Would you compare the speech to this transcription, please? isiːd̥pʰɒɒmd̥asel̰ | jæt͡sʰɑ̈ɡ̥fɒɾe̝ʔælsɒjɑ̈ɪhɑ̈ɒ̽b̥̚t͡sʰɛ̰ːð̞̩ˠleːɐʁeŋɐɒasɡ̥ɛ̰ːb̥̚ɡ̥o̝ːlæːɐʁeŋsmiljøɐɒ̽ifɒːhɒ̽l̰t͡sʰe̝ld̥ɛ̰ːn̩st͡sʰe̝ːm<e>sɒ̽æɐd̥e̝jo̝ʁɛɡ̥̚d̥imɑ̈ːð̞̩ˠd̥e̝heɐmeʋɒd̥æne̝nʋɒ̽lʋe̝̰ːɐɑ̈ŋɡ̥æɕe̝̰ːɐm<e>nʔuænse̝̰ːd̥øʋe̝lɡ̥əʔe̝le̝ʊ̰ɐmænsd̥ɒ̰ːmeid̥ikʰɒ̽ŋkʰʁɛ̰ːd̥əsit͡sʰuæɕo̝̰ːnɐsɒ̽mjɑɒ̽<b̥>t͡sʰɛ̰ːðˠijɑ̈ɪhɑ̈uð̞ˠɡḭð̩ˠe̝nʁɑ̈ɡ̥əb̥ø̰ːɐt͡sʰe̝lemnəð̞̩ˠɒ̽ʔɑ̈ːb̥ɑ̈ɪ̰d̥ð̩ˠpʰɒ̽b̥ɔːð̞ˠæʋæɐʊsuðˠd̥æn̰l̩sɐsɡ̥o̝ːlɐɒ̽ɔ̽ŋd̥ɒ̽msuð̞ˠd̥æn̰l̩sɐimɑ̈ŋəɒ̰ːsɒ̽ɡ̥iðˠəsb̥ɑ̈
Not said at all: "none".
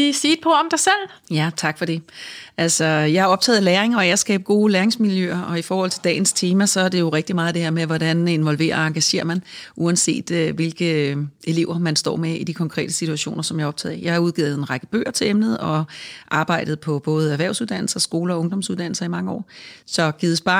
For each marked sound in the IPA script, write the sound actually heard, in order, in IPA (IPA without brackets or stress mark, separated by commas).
æ, æ, b̥